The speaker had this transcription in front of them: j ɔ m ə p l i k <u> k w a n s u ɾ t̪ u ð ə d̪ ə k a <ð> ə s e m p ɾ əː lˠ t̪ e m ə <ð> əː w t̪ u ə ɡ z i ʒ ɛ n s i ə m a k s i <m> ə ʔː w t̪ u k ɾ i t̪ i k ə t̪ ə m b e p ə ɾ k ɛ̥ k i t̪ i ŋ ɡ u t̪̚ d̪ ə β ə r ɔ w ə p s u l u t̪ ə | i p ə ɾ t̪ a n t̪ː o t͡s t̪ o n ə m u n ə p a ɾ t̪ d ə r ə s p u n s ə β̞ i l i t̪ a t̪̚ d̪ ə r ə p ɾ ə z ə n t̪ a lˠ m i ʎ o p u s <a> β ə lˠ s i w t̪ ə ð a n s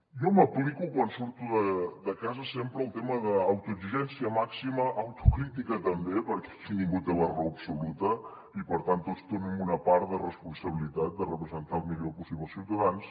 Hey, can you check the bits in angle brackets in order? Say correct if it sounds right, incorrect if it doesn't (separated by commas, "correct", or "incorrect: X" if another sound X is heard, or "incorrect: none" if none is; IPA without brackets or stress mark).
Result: correct, incorrect: z, correct, correct, incorrect: i